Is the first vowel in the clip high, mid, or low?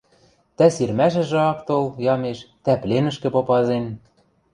low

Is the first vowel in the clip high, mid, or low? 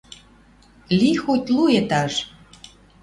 high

